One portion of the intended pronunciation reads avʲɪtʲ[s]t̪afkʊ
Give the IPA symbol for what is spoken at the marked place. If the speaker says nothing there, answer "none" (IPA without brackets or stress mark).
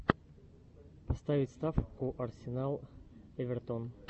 s